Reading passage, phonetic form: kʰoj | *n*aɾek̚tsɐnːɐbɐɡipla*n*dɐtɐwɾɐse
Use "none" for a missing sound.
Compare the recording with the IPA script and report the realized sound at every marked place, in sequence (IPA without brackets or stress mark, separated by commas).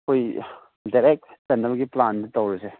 d, n